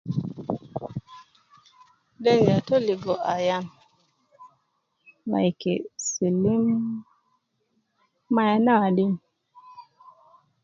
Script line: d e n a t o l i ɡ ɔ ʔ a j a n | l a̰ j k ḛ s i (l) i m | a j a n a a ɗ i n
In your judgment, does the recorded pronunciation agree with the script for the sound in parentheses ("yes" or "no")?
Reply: yes